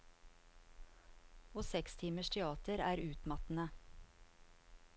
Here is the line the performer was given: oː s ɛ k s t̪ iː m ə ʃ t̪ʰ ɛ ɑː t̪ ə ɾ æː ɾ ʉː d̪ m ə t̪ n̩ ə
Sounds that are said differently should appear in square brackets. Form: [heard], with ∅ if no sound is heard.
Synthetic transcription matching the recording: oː s ɛ k s [t̪ʰ] iː m ə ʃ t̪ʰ ɛ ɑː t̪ ə ɾ æː ɾ ʉː [t̪] m [ɑ] t̪ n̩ ə